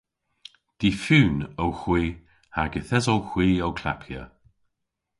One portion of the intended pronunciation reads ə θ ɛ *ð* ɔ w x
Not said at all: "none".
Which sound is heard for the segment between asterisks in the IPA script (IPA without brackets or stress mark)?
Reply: z